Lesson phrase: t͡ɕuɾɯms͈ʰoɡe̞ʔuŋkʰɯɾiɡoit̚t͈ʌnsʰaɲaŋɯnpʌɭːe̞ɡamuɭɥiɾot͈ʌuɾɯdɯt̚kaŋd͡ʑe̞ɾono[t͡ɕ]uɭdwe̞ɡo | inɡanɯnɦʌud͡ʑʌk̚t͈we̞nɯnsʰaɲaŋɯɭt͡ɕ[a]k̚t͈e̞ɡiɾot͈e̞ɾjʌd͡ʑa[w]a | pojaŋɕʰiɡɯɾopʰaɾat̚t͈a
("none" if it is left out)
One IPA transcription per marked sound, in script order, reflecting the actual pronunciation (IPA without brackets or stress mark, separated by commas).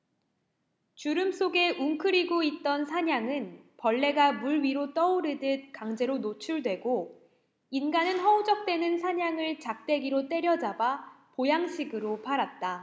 t͡ɕʰ, a, b